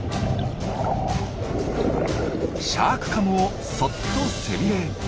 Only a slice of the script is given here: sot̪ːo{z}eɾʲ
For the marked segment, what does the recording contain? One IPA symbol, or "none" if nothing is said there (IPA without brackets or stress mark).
s